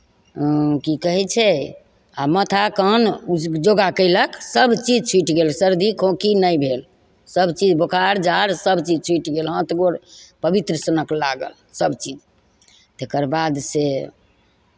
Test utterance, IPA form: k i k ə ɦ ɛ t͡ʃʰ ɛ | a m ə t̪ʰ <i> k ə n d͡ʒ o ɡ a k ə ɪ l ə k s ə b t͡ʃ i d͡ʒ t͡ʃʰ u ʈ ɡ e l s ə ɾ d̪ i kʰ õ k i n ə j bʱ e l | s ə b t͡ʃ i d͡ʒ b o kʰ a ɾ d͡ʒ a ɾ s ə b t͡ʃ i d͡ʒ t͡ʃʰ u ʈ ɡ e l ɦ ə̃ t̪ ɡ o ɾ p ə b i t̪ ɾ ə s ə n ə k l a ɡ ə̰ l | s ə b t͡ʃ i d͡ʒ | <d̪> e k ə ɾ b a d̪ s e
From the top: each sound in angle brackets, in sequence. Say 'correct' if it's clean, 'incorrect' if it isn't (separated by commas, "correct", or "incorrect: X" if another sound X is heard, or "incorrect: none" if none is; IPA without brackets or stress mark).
incorrect: a, incorrect: t̪